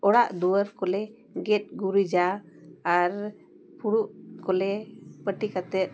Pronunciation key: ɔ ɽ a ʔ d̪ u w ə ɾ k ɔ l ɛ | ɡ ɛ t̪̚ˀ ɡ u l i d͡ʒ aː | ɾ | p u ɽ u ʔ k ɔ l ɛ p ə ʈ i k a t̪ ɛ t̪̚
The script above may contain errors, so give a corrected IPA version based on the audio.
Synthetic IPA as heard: ɔ ɽ a ʔ d̪ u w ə ɾ k ɔ l ɛ | ɡ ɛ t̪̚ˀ ɡ u ɾ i d͡ʒ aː | ɾ | p u ɽ u ʔ k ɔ l ɛ p ə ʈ i k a t̪ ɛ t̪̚